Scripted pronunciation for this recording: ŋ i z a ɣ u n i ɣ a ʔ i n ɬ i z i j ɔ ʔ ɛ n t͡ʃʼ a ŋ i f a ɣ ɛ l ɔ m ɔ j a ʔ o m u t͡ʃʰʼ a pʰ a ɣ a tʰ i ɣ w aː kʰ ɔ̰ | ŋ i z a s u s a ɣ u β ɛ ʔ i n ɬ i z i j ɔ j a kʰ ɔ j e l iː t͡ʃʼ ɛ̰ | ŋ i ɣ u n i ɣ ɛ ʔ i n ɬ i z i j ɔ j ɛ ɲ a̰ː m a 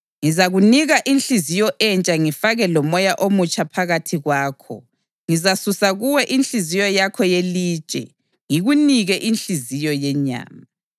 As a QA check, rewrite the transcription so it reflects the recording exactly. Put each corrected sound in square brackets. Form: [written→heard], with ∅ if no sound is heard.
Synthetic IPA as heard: ŋ i z a ɣ u n i ɣ a ʔ i n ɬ i z i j ɔ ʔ ɛ n t͡ʃʼ a ŋ i f a ɣ ɛ l ɔ m ɔ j a ʔ o m u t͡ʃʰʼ a pʰ a ɣ a tʰ i ɣ w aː kʰ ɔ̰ | ŋ i z a s u s a ɣ u [β→w] ɛ ʔ i n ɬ i z i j ɔ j a kʰ ɔ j e l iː t͡ʃʼ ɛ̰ | ŋ i ɣ u n i ɣ ɛ ʔ i n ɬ i z i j ɔ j ɛ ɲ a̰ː m a